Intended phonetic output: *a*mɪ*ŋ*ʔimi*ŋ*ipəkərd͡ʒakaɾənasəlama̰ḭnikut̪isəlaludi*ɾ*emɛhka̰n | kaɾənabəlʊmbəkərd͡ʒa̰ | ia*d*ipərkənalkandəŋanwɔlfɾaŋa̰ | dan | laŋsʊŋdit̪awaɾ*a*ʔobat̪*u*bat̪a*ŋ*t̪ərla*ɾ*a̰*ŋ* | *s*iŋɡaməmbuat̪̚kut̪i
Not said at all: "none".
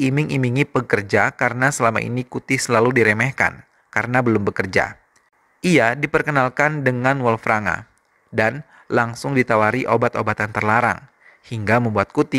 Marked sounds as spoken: i, ŋ, ŋ, ɾ, d, i, o, n, ɾ, ŋ, h

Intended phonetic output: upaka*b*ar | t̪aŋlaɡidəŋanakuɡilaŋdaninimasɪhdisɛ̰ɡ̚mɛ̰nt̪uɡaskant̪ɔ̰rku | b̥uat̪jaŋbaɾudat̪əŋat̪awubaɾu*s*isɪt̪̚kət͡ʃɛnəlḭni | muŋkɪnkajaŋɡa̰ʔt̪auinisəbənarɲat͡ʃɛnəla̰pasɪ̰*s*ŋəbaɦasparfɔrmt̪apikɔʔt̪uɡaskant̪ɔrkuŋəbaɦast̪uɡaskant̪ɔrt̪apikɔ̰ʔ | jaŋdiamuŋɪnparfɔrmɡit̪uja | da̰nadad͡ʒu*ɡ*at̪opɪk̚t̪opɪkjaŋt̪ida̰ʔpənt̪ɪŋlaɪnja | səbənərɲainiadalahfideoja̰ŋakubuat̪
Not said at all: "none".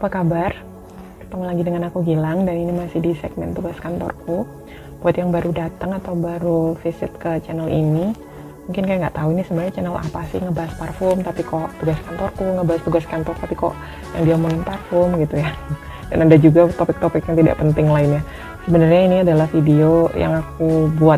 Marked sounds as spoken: b, f, h, ɡ

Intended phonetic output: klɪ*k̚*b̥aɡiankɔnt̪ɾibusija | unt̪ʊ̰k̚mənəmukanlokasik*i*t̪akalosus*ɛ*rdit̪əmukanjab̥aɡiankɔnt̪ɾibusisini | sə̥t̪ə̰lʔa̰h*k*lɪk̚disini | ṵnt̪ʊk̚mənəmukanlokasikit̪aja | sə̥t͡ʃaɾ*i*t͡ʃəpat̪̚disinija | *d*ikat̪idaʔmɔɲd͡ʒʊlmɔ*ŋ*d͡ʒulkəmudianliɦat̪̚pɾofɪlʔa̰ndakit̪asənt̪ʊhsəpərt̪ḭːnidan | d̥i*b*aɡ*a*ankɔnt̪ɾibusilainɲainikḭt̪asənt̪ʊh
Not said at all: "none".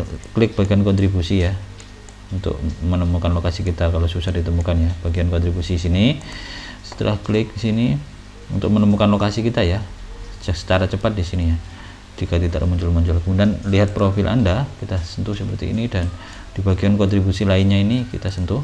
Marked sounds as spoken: k̚, i, a, k, a, d͡ʒ, ɲ, b, i

